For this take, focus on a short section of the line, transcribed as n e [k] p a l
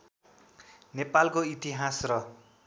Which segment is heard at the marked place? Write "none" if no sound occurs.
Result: none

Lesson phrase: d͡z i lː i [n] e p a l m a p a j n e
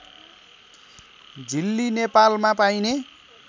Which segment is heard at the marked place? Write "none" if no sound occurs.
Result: n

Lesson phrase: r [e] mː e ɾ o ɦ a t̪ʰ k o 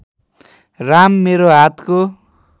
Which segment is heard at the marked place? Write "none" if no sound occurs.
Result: a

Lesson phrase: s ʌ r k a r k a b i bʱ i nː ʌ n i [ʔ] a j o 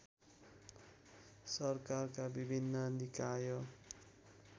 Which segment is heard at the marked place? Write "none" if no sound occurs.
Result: k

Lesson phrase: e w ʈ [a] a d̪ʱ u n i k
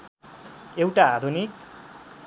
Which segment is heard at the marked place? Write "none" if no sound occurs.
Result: a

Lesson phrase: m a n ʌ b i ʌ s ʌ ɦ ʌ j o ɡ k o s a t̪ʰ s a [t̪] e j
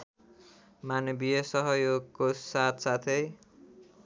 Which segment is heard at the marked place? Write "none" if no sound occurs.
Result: t̪ʰ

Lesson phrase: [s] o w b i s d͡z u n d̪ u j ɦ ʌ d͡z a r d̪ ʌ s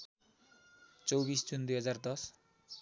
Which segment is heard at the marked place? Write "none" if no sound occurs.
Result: t͡s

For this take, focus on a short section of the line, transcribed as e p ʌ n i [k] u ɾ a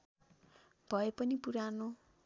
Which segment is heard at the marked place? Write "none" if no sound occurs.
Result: p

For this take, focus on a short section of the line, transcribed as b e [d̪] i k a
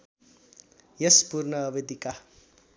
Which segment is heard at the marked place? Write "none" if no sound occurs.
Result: d̪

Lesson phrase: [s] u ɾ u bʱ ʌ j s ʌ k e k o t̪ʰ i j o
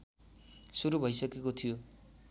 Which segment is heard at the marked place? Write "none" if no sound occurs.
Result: s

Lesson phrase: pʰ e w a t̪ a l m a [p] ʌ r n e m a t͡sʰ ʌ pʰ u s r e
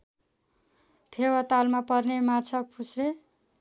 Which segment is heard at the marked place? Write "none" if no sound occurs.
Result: p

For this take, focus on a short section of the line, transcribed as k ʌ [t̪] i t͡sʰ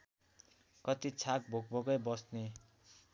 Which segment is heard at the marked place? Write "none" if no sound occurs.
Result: t̪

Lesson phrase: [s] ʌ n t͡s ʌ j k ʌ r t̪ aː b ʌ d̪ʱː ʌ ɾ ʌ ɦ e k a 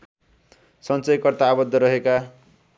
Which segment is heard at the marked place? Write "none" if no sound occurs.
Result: s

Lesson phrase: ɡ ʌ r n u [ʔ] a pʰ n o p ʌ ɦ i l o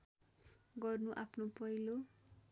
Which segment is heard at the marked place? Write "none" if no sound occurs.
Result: ʔ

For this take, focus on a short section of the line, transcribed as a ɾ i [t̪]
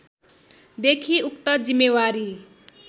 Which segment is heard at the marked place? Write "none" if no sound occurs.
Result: none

